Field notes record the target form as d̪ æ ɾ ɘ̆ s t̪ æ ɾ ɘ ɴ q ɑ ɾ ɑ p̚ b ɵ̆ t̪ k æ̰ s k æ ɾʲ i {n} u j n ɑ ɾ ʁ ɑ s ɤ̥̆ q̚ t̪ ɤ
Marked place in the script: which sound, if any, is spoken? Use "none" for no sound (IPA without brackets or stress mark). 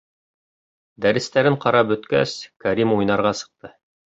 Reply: m